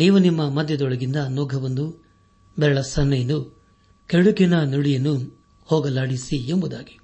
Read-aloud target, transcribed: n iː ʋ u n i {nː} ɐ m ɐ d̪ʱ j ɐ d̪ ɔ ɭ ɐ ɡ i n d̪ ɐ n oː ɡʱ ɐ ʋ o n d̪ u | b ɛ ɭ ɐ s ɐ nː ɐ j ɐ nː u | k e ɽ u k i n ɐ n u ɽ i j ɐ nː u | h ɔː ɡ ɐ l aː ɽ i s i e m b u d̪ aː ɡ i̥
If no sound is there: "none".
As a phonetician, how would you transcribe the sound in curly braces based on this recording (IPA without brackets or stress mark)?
mː